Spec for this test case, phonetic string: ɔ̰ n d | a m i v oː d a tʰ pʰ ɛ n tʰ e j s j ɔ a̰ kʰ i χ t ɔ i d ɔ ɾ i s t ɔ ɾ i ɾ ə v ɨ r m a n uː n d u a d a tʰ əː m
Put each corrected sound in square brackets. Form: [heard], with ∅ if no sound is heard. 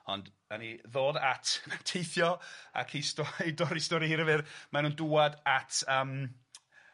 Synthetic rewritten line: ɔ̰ n d | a [n] i [ð] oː d a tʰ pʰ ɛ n tʰ e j [θ] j ɔ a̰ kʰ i [s] t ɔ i d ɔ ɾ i s t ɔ ɾ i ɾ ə v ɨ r m a n uː n d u a d a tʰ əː m